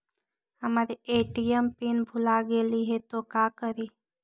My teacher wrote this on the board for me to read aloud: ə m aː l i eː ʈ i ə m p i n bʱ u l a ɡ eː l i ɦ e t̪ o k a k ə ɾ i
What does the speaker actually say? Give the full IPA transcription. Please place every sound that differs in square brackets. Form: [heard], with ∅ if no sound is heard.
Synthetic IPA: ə m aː [ɾ] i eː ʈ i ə m p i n bʱ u l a ɡ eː l i ɦ e t̪ o k a k ə ɾ i